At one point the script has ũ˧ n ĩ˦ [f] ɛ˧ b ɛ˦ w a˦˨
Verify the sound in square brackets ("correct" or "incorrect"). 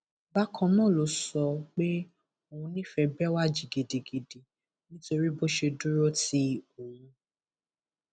correct